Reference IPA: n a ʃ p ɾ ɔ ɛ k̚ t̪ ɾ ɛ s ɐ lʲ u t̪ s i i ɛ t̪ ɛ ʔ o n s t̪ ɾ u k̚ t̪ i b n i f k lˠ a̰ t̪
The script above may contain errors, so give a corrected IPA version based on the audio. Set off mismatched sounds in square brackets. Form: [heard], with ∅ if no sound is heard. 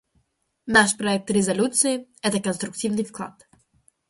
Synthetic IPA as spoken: n a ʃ p ɾ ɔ ɛ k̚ t̪ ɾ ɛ [z] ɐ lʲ u t̪ s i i ɛ t̪ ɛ [k] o n s t̪ ɾ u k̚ t̪ i [v] n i f k lˠ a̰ t̪